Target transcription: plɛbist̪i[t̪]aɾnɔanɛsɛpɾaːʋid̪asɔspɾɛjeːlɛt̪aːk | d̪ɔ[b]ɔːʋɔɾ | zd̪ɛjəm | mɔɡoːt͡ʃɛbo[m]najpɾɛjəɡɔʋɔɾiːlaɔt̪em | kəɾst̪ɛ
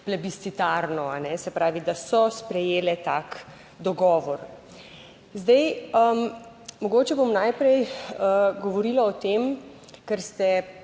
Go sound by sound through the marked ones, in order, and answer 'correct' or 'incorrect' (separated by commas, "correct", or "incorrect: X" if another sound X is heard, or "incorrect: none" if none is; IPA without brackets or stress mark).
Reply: correct, incorrect: ɡ, correct